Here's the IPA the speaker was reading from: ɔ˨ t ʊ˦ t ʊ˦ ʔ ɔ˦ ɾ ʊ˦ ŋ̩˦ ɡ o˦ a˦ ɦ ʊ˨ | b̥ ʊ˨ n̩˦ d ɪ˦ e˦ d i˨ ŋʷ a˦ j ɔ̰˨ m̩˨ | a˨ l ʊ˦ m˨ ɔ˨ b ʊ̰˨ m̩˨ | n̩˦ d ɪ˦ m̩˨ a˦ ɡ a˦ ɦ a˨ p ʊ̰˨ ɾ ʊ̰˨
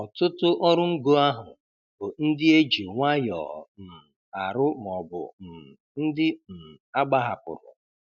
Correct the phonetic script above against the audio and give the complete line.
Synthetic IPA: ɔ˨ t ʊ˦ t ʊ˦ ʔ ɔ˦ ɾ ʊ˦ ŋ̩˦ ɡ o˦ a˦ ɦ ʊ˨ | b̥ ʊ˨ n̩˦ d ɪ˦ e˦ d͡ʒ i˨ ŋʷ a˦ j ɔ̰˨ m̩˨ | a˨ ɾ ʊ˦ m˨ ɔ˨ b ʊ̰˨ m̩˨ | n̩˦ d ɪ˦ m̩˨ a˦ ɡ͡b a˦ ɦ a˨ p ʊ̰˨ ɾ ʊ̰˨

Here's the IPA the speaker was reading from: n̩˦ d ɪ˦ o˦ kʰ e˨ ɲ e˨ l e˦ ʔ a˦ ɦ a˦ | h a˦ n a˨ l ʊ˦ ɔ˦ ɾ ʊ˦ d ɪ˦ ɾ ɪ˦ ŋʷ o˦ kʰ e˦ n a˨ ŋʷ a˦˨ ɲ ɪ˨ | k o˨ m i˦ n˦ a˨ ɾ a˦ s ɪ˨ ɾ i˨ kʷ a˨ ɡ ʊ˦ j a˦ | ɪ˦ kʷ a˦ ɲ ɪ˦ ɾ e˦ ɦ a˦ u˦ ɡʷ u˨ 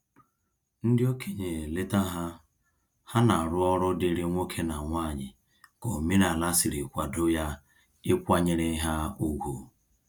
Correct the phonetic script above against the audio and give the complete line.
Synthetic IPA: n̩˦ d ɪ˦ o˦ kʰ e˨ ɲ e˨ l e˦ t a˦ ɦ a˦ | h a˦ n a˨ ɾ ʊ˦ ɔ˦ ɾ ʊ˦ d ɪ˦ ɾ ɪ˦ ŋʷ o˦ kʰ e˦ n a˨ ŋʷ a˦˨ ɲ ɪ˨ | k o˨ m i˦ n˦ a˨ l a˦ s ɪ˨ ɾ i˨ kʷ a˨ d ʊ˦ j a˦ | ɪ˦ kʷ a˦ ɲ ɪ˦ ɾ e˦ ɦ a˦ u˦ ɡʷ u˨

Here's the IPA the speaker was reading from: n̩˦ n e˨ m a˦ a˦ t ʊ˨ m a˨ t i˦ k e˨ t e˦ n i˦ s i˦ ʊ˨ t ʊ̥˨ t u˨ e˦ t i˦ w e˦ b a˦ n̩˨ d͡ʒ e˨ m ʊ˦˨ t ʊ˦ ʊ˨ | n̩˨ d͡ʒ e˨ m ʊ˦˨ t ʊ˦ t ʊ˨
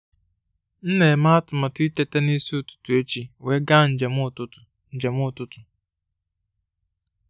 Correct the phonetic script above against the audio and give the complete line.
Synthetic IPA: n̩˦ n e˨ m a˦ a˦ t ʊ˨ m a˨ t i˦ t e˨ t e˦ n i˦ s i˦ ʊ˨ t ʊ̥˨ t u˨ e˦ t͡ʃ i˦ w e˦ ɡ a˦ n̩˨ d͡ʒ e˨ m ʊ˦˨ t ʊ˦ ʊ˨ | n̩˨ d͡ʒ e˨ m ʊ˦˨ t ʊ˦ t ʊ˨

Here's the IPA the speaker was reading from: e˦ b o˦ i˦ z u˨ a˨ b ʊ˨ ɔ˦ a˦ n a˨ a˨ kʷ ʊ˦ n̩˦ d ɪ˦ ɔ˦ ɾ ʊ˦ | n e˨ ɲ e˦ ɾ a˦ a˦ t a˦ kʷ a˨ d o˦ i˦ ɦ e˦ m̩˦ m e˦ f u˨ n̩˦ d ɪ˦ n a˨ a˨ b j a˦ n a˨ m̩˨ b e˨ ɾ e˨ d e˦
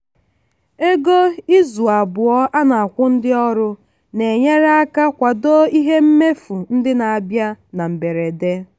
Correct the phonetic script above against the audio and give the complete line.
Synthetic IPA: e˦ ɡ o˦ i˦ z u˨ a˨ b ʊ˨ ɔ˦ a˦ n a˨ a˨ kʷ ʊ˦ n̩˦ d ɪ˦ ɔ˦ ɾ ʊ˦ | n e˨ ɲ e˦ ɾ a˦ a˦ k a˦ kʷ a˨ d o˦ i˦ ɦ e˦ m̩˦ m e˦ f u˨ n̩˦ d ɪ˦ n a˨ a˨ b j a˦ n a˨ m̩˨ b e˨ ɾ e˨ d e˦

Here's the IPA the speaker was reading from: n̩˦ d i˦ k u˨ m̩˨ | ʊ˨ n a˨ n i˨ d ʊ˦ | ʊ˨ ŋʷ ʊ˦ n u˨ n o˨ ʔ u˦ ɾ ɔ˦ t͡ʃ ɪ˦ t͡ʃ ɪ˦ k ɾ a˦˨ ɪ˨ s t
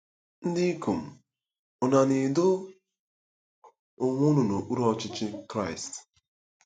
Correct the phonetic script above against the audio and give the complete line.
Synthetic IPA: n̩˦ d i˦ k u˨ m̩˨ | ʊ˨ n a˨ n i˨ d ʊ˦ | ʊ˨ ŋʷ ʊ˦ n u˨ n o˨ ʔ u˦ ɾ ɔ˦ t͡ʃ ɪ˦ t͡ʃ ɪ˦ k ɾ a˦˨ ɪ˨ s t

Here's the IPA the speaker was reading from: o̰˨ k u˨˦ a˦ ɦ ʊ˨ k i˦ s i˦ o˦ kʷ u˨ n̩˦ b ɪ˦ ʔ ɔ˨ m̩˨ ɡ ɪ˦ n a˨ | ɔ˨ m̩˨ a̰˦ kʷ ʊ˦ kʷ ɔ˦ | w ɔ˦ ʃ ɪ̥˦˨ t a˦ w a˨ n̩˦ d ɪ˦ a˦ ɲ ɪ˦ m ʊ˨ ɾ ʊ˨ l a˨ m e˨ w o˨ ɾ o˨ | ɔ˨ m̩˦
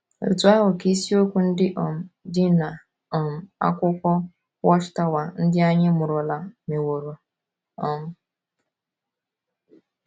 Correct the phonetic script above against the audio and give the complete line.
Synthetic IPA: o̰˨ t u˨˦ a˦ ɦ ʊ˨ k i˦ s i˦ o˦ kʷ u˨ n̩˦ d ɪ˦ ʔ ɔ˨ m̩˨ d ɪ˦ n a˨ | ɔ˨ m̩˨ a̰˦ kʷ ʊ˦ kʷ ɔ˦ | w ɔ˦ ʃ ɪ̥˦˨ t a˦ w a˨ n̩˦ d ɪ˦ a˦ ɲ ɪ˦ m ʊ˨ ɾ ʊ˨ l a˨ m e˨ w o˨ ɾ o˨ | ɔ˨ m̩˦

